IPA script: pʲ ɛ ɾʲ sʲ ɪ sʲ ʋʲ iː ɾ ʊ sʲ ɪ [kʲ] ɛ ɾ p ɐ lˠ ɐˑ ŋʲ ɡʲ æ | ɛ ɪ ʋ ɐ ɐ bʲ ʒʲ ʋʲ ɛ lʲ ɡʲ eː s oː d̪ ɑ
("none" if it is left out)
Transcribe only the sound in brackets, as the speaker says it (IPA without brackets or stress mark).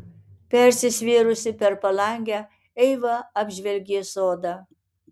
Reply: pʲ